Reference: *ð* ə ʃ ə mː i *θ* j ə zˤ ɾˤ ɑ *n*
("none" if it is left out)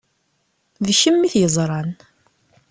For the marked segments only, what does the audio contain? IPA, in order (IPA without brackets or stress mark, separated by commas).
ð, θ, n